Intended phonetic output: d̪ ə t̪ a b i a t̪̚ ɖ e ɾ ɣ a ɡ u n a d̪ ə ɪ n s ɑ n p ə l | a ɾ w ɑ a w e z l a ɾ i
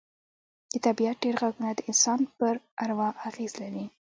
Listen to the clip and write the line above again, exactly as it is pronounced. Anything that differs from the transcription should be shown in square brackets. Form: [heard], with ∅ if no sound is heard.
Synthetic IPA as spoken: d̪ ə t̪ a b i a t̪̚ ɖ e ɾ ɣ a ɡ u n a d̪ ə ɪ n s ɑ n p ə [ɾ] | a ɾ w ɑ a [ɣ] e z l a ɾ i